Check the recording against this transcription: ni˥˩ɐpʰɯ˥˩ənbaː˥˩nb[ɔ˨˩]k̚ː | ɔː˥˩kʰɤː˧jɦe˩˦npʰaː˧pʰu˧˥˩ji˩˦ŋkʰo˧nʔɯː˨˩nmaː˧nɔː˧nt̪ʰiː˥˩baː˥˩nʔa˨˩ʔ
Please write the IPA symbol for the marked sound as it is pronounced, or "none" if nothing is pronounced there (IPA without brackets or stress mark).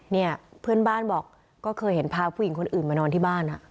ɔː˨˩